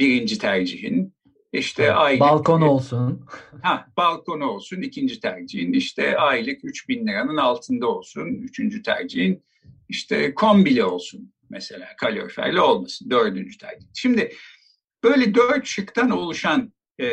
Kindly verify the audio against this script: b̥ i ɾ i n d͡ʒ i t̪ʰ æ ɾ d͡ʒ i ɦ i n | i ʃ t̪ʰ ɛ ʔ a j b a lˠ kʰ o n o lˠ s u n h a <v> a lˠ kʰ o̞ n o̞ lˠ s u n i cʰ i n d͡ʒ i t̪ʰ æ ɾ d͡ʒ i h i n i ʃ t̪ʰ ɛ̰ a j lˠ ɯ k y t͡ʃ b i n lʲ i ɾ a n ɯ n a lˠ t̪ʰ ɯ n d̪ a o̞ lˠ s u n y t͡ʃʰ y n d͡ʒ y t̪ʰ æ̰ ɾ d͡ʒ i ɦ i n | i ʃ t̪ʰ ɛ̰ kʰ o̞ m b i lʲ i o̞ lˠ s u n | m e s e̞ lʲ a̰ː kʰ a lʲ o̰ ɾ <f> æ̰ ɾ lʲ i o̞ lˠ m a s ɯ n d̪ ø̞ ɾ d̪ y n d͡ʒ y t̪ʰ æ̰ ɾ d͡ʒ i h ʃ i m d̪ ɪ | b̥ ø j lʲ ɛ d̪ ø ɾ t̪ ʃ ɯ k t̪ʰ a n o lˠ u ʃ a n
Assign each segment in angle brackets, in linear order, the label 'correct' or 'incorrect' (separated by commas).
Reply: incorrect, correct